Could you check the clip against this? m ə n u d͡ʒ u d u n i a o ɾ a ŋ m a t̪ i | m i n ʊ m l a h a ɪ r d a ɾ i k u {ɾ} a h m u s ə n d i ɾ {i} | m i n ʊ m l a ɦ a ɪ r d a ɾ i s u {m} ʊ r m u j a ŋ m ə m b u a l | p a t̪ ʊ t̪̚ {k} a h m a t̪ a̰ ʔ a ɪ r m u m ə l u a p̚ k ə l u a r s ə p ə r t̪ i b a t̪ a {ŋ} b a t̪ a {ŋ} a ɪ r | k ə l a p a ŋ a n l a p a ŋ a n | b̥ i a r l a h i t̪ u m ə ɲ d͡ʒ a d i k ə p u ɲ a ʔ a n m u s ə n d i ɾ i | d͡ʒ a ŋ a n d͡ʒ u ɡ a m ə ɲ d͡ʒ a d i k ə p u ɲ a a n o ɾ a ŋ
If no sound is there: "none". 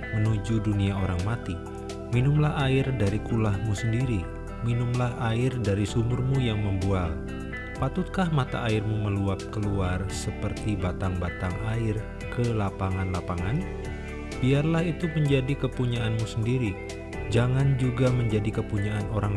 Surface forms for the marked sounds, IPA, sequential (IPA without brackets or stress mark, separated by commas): l, i, m, k, ŋ, ŋ